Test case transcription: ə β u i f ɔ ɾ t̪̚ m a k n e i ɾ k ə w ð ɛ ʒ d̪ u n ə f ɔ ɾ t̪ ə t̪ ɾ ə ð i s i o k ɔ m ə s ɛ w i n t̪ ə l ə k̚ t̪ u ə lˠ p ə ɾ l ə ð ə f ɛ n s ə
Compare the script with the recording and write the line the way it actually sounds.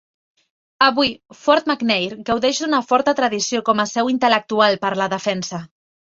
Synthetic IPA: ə β u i f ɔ ɾ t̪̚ m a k n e j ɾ ɡ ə w ð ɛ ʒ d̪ u n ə f ɔ ɾ t̪ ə t̪ ɾ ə ð i s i o k ɔ m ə s ɛ w i n t̪ ə l ə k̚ t̪ u a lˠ p ə ɾ l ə ð ə f ɛ n s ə